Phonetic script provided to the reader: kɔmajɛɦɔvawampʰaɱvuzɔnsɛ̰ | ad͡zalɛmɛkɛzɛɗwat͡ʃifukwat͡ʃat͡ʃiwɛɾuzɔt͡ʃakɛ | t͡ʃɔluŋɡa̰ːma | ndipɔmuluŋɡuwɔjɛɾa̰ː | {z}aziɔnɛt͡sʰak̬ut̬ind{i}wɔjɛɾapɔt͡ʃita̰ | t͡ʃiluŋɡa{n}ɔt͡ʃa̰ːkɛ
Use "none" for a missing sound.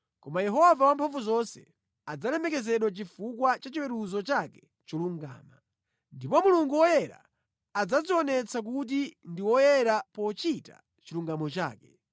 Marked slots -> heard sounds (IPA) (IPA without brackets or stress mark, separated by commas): d͡z, i, m